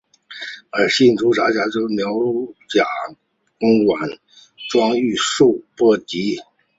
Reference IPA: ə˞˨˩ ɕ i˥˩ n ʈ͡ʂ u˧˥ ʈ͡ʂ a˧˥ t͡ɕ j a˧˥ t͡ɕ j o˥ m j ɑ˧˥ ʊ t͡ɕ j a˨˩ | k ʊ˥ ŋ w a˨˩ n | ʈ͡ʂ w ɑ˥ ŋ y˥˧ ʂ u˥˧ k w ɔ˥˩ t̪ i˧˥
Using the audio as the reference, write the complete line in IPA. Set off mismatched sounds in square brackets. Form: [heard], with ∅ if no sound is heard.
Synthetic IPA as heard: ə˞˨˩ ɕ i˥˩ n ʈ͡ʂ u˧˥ ʈ͡ʂ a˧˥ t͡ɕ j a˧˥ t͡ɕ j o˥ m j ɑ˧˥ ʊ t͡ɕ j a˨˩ | k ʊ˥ ŋ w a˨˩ n | ʈ͡ʂ w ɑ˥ ŋ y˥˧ ʂ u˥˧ [p] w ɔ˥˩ t̪ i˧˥

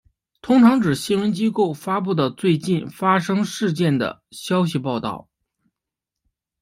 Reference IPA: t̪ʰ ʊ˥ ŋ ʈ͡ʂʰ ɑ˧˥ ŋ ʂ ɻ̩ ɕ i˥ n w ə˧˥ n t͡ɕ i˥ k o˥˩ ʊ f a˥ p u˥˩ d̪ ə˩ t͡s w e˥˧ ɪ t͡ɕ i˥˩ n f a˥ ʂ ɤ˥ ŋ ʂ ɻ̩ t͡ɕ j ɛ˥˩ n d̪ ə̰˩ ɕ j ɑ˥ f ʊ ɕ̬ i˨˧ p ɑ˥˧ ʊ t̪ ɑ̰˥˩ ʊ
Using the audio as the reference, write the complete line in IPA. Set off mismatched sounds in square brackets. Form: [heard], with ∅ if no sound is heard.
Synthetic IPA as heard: t̪ʰ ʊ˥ ŋ ʈ͡ʂʰ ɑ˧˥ ŋ [ʈ͡ʂ] ɻ̩ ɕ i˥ n w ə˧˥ n t͡ɕ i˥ k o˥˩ ʊ f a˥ p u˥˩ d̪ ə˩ t͡s w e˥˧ ɪ t͡ɕ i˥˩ n f a˥ ʂ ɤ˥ ŋ ʂ ɻ̩ t͡ɕ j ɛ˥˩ n d̪ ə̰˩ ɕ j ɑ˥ [∅] ʊ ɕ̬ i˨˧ p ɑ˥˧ ʊ t̪ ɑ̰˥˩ ʊ

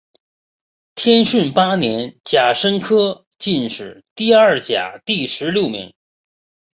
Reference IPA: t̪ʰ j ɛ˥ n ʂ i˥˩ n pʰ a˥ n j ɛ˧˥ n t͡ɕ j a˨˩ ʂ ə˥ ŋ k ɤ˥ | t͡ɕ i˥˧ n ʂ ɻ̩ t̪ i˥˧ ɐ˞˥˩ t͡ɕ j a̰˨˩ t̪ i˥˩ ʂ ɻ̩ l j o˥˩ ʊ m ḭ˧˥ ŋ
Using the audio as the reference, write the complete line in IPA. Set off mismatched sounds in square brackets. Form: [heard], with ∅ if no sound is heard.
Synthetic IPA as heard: t̪ʰ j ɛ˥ n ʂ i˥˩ n [p] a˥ n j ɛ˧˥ n t͡ɕ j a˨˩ ʂ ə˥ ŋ [kʰ] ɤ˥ | t͡ɕ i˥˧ n ʂ ɻ̩ t̪ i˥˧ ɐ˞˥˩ t͡ɕ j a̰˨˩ t̪ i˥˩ ʂ ɻ̩ l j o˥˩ ʊ m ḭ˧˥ ŋ

